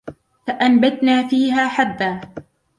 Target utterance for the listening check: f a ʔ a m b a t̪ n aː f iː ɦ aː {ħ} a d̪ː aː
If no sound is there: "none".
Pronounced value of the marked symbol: ħ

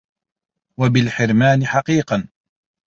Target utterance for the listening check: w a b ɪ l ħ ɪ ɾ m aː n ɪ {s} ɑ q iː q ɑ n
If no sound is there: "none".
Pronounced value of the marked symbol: ħ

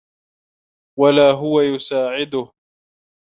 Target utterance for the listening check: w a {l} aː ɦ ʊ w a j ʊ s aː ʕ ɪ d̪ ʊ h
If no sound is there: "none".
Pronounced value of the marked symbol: l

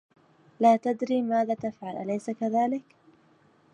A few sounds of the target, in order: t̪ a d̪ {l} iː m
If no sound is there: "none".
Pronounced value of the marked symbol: ɾ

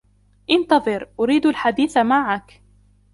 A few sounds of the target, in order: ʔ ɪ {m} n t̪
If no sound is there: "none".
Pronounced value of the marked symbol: none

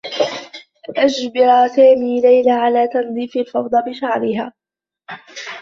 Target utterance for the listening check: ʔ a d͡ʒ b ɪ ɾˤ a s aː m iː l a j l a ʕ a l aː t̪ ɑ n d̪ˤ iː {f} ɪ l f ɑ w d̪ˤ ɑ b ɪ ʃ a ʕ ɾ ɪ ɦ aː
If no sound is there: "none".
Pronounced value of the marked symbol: f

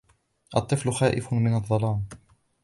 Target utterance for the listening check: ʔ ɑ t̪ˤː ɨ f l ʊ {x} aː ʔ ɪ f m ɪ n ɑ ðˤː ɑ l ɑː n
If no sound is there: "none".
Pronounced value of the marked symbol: x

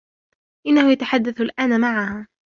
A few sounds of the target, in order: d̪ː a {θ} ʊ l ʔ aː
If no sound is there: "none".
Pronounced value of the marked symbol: θ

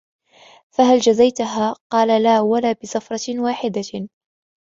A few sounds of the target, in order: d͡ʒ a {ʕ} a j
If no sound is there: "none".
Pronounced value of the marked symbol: z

